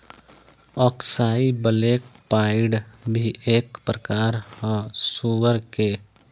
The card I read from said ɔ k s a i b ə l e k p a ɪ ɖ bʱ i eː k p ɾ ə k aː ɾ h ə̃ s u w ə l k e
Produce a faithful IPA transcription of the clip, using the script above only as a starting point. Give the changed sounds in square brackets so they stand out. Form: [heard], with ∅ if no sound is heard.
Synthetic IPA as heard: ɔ k s a i b ə l e k p a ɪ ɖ bʱ i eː k p ɾ ə k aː ɾ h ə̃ s u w ə [ɾ] k e